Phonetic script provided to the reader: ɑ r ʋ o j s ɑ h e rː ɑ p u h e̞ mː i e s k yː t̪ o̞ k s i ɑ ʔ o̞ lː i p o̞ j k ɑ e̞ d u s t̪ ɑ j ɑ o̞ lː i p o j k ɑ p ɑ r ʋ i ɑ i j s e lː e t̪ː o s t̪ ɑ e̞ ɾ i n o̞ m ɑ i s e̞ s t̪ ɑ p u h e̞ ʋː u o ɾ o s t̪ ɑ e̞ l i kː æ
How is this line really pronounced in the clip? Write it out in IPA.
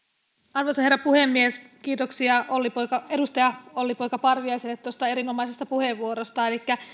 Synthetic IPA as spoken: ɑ r ʋ o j s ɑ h e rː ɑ p u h e̞ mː i e s k iː t̪ o̞ k s i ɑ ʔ o̞ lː i p o̞ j k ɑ e̞ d u s t̪ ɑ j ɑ o̞ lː i p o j k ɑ p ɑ r ʋ i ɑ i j s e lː e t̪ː o s t̪ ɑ e̞ ɾ i n o̞ m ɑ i s e̞ s t̪ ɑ p u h e̞ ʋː u o ɾ o s t̪ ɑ e̞ l i kː æ